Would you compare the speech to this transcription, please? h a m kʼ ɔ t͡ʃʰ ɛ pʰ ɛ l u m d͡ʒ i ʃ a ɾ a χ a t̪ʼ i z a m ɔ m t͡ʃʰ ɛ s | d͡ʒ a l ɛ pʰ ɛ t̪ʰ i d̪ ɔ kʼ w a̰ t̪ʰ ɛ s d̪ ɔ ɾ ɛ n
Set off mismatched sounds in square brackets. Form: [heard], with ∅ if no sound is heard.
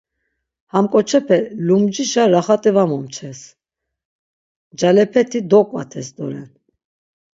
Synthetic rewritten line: h a m kʼ ɔ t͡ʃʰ ɛ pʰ ɛ l u m d͡ʒ i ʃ a ɾ a χ a t̪ʼ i [v] a m ɔ m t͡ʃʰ ɛ s | d͡ʒ a l ɛ pʰ ɛ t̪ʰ i d̪ ɔ kʼ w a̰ t̪ʰ ɛ s d̪ ɔ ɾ ɛ n